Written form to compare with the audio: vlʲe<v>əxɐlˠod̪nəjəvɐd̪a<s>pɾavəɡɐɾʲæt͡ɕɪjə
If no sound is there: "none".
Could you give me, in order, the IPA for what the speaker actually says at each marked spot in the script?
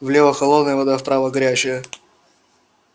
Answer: v, f

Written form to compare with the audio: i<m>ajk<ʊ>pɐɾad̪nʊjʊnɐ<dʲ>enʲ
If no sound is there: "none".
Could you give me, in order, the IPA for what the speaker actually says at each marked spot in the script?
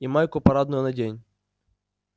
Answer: m, ʊ, dʲ

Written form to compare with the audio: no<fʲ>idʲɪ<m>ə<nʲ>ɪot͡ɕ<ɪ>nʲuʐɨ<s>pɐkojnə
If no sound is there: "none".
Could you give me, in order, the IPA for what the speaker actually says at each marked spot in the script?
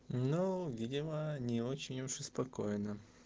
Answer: vʲ, m, nʲ, ɪ, s

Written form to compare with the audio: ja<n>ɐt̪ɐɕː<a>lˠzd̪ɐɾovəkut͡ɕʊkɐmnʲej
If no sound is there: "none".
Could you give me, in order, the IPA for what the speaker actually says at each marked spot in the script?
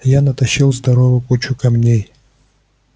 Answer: n, i

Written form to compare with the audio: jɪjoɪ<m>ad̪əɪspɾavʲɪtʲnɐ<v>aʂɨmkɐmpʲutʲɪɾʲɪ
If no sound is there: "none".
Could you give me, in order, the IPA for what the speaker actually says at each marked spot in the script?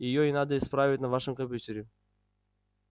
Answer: n, v

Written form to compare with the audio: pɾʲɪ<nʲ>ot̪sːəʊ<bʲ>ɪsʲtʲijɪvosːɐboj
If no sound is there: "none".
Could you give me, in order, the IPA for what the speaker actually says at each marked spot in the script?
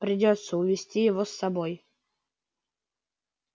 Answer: dʲ, vʲ

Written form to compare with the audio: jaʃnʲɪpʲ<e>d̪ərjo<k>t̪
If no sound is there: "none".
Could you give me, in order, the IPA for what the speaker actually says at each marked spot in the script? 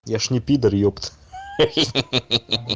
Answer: i, p

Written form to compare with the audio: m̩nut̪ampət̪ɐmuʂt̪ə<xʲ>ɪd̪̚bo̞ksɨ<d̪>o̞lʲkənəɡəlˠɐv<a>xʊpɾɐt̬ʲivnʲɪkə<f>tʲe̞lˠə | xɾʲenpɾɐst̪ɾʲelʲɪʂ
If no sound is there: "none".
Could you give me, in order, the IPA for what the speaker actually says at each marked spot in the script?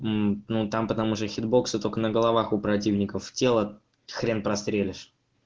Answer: xʲ, t̪, a, f

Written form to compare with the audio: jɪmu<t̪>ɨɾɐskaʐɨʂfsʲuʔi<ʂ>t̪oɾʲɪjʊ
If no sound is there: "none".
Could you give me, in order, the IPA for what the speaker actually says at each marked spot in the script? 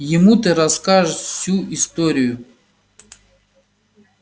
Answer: t̪, s

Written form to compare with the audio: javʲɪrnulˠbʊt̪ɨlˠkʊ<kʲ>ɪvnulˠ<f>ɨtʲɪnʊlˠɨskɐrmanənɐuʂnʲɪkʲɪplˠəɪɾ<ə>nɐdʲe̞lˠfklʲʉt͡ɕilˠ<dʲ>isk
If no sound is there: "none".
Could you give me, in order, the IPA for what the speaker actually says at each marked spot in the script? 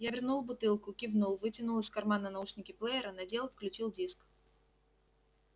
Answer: kʲ, v, ə, dʲ

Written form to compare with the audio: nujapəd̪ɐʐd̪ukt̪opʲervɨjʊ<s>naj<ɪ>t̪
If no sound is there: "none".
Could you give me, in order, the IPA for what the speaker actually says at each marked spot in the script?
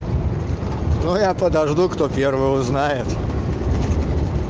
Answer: z, ɪ

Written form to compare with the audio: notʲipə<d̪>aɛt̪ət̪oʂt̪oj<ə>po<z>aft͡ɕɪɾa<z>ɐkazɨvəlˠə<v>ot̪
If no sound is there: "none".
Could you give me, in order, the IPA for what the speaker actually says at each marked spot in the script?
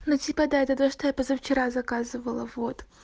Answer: d̪, a, z, z, v

